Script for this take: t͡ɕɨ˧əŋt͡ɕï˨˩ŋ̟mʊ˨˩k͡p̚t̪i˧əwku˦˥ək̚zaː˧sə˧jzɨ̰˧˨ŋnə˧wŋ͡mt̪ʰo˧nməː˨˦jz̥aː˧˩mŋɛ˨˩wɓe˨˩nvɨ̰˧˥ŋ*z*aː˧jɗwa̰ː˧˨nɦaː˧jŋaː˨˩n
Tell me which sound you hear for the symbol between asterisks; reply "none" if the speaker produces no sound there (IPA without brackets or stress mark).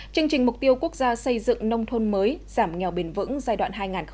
z